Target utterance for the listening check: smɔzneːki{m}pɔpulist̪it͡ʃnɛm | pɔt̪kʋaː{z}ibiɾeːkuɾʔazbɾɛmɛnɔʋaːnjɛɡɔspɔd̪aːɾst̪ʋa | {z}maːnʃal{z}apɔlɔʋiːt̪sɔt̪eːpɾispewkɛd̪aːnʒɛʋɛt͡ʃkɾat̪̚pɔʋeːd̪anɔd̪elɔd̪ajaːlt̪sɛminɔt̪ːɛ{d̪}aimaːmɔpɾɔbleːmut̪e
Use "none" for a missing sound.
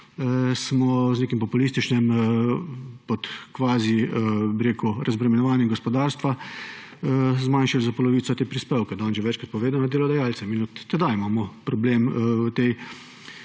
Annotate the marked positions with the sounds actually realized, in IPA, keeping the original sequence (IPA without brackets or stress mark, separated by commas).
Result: m, z, z, z, d̪